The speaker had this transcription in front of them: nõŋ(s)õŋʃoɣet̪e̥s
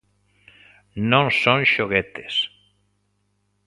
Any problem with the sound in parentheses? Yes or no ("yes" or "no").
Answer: no